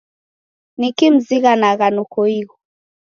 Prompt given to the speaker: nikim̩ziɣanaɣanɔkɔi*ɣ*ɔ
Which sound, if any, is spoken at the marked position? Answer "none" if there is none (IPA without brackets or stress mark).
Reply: ɣ